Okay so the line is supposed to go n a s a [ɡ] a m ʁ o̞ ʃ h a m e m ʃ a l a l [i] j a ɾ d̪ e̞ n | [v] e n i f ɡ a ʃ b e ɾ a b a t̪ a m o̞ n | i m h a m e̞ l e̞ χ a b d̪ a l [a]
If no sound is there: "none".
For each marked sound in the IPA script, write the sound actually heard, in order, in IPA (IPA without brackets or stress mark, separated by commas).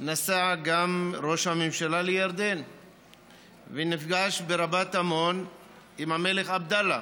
ɡ, e, v, a